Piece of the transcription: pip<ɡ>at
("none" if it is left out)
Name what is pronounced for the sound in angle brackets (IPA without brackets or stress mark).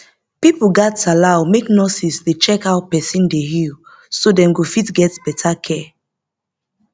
ɡ